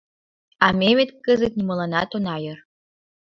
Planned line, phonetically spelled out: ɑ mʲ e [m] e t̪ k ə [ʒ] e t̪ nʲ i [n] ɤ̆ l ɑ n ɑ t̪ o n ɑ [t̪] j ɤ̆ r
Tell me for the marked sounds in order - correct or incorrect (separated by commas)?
correct, incorrect, incorrect, incorrect